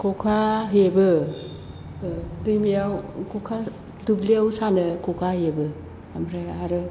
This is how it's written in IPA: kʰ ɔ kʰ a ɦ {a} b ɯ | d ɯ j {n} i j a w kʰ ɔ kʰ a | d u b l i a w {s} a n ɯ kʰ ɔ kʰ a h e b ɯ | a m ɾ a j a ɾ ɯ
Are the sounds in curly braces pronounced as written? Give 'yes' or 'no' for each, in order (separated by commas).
no, no, yes